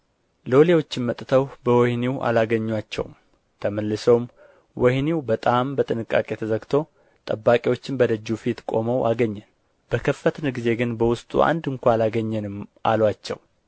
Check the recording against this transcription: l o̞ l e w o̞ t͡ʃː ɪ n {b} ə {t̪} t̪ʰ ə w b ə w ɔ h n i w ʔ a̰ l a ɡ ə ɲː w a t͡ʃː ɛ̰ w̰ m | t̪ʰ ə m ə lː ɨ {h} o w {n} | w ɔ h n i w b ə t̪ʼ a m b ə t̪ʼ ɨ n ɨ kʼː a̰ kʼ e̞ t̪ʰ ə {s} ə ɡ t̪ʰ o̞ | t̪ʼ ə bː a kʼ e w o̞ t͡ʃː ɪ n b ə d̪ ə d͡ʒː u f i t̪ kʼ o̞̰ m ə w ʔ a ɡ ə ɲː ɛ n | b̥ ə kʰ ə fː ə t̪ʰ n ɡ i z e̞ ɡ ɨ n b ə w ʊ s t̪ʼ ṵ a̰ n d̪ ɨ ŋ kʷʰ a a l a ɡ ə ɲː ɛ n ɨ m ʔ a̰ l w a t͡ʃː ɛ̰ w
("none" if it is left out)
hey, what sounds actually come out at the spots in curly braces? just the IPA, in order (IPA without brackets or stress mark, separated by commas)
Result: m, t̪ʼ, s, m, z